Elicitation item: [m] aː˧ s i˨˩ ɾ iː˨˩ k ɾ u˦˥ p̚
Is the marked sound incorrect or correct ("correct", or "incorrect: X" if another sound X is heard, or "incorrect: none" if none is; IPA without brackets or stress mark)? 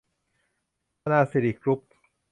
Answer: incorrect: n